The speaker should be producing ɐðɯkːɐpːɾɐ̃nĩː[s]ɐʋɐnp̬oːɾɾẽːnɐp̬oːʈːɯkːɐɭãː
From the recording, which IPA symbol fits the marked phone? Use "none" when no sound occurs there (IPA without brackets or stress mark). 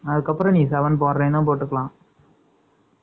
s